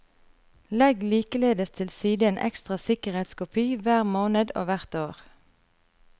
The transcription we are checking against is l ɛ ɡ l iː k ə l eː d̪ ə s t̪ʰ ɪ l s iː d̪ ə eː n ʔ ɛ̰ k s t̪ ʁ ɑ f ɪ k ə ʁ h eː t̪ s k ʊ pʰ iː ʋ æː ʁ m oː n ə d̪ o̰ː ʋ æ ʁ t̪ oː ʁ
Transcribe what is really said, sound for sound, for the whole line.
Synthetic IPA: l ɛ ɡ l iː k ə l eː d̪ ə s t̪ʰ ɪ l s iː d̪ ə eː n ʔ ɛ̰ k s t̪ ʁ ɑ s ɪ k ə ʁ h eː t̪ s k ʊ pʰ iː ʋ æː ʁ m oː n ə d̪ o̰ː ʋ æ ʁ t̪ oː ʁ